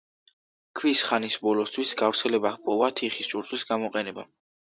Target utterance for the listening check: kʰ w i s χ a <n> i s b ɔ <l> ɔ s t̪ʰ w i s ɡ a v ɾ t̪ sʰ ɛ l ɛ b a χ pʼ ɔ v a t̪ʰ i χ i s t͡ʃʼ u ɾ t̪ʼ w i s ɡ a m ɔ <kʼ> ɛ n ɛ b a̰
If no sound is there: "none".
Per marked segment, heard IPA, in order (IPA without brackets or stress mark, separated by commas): n, l, qʼ